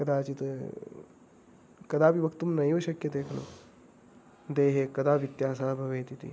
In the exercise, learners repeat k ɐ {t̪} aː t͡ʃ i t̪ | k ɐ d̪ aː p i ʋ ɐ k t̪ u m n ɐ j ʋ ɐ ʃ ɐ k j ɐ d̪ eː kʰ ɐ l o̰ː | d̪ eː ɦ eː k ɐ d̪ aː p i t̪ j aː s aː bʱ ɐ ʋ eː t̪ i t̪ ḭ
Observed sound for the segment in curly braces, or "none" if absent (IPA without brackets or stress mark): d̪